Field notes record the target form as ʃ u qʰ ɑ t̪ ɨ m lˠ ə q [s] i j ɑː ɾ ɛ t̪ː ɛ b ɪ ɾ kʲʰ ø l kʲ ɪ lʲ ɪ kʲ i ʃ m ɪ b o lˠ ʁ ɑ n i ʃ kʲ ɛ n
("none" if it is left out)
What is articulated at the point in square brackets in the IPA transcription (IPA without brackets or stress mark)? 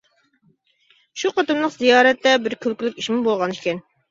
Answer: z